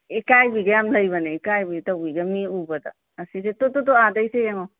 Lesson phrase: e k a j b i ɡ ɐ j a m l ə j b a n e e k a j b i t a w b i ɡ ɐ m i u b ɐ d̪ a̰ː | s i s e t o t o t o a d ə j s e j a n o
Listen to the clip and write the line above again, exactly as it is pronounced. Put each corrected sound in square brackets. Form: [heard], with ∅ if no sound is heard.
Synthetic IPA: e k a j b i ɡ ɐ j a m l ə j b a n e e k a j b i t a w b i ɡ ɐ m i u b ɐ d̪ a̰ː | s i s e t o t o t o a d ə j s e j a [ŋ] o